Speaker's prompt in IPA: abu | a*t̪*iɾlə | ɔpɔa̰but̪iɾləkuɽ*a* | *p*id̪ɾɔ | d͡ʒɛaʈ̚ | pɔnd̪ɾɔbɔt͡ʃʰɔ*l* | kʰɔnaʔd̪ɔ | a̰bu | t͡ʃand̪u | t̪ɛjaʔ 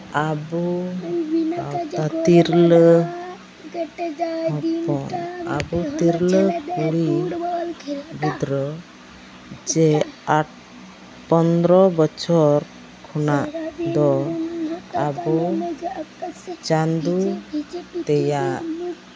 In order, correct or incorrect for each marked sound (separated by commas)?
correct, incorrect, incorrect, incorrect